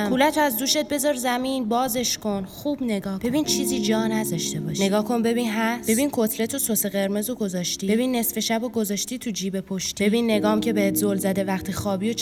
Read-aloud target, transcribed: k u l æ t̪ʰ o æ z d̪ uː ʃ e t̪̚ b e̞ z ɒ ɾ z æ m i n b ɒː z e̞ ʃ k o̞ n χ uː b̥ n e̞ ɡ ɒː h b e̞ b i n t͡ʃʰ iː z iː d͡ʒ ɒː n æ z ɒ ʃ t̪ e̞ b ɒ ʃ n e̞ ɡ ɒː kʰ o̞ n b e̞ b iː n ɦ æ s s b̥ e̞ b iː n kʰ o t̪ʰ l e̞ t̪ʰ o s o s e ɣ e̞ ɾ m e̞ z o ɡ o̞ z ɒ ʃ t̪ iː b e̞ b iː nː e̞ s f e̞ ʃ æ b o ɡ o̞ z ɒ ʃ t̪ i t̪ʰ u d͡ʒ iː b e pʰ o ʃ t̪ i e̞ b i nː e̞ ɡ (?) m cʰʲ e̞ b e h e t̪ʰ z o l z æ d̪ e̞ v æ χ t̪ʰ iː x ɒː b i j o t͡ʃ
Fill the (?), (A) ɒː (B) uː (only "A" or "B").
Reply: A